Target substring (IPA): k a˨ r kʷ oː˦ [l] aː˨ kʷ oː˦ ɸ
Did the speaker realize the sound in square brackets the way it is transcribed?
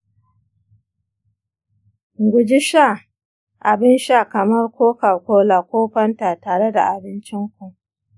yes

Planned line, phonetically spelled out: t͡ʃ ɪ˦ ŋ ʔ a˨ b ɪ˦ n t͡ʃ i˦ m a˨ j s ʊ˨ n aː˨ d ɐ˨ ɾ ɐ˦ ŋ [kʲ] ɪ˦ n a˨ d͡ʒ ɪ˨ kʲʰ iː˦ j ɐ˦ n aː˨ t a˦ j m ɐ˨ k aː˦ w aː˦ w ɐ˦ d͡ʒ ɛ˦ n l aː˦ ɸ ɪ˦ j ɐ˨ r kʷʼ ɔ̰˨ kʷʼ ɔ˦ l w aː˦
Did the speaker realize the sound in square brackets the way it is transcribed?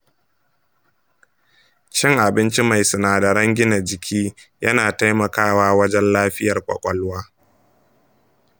no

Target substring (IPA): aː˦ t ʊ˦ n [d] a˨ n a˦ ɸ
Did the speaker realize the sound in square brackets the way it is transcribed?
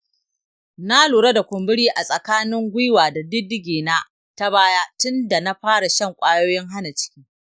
yes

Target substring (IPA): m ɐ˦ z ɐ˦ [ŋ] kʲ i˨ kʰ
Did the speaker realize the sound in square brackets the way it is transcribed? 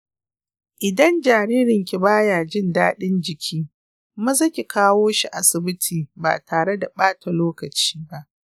no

